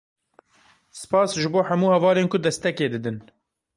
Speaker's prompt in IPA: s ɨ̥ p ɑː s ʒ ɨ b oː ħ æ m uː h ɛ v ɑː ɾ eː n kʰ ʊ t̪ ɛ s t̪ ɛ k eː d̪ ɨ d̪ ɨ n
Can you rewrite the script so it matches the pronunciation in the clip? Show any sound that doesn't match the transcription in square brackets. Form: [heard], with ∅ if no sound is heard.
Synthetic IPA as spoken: s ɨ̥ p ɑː s ʒ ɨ b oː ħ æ m uː h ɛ v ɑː [l] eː n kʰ ʊ [d̪] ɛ s t̪ ɛ k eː d̪ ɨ d̪ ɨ n